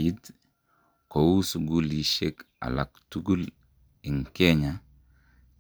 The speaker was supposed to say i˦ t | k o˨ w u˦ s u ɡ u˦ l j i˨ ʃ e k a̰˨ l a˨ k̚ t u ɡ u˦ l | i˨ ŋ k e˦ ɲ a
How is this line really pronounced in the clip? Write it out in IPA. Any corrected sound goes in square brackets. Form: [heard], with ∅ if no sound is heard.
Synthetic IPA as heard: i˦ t | k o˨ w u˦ s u ɡ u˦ l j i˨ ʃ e k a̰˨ l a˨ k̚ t u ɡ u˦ l | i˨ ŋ k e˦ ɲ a